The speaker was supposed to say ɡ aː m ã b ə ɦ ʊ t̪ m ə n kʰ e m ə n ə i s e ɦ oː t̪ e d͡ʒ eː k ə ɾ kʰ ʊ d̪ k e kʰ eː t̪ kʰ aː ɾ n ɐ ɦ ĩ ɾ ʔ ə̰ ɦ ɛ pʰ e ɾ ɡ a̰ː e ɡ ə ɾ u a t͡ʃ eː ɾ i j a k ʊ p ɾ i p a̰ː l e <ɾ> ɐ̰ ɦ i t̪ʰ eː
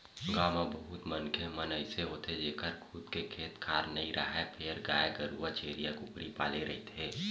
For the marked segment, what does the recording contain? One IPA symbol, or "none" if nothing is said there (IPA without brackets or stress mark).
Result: ɾ